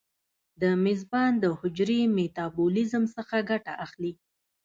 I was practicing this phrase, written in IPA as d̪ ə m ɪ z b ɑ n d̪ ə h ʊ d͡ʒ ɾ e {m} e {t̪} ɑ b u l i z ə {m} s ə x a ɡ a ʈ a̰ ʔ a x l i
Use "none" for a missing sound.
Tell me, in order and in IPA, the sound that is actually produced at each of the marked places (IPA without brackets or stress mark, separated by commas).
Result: m, t̪, m